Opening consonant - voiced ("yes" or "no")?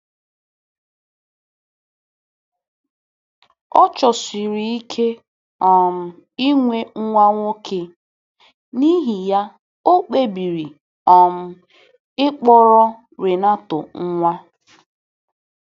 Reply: no